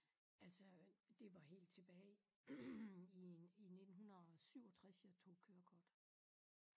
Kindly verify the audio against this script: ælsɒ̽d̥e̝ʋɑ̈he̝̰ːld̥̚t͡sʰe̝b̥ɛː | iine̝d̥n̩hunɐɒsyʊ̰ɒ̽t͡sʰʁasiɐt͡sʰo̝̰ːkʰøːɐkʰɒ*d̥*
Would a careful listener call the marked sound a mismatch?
no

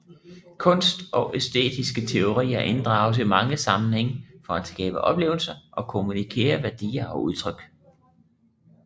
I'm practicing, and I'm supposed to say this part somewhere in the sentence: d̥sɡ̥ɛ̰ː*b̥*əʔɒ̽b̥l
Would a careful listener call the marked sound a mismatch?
no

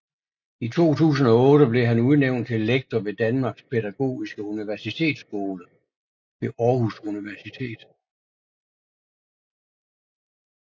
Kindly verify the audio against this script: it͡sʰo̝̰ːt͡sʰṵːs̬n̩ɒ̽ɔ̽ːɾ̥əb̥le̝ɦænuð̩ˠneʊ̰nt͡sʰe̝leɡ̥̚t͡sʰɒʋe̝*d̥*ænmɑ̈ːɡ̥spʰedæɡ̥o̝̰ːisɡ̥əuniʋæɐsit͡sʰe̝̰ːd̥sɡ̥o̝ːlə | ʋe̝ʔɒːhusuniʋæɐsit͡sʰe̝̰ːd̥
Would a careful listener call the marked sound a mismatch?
no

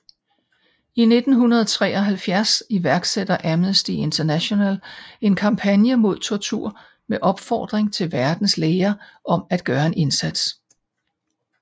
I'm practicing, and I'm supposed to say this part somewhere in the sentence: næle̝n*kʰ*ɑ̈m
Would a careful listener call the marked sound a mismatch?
no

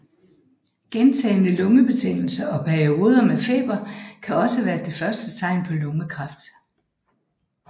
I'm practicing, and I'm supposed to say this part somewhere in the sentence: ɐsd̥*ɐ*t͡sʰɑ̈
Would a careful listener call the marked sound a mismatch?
yes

